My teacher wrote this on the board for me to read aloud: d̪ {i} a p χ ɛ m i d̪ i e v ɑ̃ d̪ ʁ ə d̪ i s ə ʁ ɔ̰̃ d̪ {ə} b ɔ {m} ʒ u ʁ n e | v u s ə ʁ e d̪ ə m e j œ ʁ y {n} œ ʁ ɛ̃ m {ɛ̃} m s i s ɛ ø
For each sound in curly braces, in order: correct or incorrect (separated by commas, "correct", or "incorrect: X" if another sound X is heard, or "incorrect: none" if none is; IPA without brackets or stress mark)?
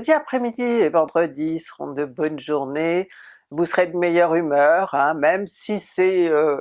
correct, correct, incorrect: n, incorrect: m, incorrect: ɛ